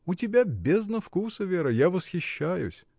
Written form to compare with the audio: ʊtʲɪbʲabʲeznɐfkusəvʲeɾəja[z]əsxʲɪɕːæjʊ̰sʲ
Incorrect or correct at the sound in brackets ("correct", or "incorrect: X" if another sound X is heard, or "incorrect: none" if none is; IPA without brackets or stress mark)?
incorrect: v